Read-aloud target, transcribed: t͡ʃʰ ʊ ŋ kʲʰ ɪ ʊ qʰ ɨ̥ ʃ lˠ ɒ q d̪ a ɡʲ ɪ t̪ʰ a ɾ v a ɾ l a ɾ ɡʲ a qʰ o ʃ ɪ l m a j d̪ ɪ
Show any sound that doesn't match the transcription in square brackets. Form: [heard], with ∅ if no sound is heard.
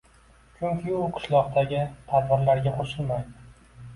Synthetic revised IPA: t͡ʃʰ ʊ ŋ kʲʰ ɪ ʊ qʰ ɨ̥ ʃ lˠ ɒ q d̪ a ɡʲ ɪ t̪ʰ a ɾ v a ɾ l a ɾ ɡʲ a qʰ o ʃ ɪ l m a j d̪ ɪ